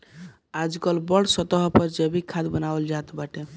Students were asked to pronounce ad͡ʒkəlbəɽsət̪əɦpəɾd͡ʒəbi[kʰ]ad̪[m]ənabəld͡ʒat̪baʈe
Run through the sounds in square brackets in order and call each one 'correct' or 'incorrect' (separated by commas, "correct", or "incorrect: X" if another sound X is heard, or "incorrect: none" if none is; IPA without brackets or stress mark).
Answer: correct, incorrect: b